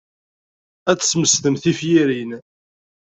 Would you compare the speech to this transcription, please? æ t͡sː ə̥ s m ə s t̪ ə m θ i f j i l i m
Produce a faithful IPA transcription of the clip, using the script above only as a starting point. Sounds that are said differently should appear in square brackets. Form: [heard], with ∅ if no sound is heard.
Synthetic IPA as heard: æ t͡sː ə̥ s m ə s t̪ ə m θ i f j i [ɾ] i [n]